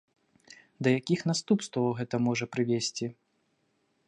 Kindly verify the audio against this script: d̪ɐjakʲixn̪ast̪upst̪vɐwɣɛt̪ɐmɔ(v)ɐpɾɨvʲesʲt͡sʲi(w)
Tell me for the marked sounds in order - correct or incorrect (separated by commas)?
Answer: incorrect, incorrect